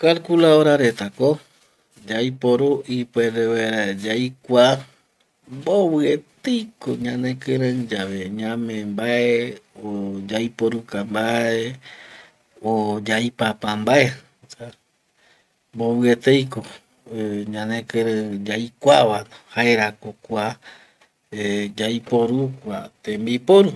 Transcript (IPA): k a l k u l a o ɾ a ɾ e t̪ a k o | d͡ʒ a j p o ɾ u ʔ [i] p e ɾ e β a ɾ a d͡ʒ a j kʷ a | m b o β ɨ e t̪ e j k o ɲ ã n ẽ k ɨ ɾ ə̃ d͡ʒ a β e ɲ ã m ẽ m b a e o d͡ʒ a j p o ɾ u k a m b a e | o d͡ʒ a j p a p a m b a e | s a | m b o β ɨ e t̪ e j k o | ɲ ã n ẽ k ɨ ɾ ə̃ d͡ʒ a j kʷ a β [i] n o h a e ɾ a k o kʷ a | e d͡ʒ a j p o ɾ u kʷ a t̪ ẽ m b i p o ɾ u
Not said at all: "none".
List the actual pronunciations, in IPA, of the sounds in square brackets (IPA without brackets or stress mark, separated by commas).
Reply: i, a